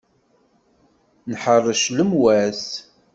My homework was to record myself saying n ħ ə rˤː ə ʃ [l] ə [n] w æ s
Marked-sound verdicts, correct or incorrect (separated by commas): correct, incorrect